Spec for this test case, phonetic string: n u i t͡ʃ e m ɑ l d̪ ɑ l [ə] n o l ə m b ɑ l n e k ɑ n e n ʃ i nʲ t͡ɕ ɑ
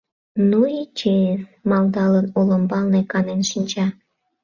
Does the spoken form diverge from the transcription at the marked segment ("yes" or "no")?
no